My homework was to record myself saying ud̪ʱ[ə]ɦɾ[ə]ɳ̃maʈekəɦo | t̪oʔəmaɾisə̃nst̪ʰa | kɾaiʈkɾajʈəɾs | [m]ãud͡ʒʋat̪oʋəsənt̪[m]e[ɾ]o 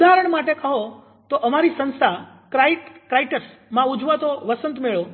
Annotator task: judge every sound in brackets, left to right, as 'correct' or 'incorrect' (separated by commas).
incorrect, correct, correct, correct, incorrect